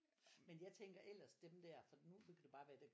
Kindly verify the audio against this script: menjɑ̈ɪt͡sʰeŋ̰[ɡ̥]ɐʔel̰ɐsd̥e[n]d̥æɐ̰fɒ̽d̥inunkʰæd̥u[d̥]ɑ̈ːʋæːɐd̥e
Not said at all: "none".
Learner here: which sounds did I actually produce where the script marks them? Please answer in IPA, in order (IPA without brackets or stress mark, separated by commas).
ɡ̥, m, b̥